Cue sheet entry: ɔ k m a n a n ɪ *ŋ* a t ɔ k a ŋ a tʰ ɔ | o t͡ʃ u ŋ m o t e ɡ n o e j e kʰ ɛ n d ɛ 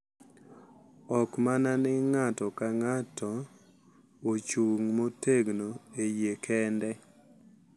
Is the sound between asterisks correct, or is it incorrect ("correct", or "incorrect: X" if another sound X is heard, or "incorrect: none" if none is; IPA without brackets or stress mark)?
correct